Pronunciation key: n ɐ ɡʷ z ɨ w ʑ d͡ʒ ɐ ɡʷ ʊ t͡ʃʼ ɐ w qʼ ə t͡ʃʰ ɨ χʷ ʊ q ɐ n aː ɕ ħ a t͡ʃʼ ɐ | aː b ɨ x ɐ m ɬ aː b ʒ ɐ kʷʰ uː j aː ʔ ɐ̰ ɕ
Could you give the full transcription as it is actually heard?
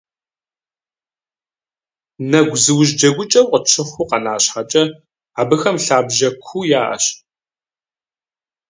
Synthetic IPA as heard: n ɐ ɡʷ z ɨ w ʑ d͡ʒ ɐ ɡʷ ʊ t͡ʃʼ ɐ w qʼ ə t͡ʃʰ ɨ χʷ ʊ q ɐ n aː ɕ ħ a t͡ʃʼ ɐ | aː b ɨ x ɐ m ɬ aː b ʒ ɐ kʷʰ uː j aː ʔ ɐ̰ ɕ